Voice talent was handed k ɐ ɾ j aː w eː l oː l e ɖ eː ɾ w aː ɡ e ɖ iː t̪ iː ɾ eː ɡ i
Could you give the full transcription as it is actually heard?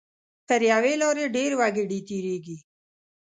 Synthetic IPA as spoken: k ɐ ɾ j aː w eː l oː ɾ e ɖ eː ɾ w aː ɡ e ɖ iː t̪ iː ɾ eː ɡ i